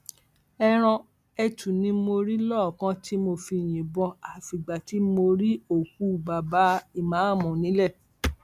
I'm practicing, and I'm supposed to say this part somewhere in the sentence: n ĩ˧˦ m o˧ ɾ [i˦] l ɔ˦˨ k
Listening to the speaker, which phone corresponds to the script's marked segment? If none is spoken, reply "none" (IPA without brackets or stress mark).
i˦